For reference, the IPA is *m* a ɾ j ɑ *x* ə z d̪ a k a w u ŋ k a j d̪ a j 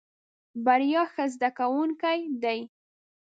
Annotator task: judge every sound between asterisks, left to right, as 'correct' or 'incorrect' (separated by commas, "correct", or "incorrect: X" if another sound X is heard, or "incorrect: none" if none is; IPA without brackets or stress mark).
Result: incorrect: b, correct